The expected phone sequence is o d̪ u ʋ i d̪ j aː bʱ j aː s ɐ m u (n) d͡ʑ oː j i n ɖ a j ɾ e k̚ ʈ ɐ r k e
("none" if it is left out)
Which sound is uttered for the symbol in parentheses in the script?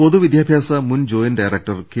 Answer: n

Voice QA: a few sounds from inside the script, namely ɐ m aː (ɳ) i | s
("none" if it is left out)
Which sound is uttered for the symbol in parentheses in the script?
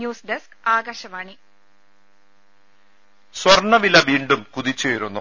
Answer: ɳ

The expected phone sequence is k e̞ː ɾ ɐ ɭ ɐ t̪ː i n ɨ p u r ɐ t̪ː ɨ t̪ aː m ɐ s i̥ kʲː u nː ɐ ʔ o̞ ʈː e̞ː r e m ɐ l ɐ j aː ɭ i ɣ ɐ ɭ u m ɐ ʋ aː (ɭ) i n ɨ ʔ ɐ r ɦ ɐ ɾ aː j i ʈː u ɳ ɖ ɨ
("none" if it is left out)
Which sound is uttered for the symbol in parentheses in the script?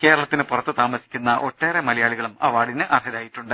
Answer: ɽ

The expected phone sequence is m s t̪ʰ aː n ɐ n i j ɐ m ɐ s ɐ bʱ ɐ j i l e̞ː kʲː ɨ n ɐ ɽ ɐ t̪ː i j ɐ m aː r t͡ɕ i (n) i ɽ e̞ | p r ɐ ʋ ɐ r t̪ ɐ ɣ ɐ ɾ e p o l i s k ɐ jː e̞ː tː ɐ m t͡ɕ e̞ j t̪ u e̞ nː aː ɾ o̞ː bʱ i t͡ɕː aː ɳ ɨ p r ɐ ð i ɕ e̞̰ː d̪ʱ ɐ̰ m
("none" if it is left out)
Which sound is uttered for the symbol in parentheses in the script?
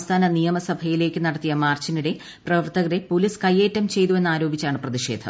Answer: n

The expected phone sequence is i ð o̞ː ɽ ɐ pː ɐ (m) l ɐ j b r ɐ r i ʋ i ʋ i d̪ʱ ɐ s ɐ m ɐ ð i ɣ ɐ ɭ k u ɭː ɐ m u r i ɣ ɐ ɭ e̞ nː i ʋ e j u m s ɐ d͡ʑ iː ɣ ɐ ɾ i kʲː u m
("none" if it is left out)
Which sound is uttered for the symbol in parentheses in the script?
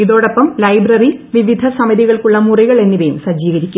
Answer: m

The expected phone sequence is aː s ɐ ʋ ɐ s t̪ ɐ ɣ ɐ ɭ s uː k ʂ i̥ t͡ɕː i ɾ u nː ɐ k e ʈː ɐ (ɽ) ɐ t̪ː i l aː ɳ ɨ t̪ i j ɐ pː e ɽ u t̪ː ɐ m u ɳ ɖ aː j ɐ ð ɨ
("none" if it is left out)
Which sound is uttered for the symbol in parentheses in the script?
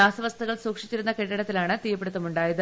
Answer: ɽ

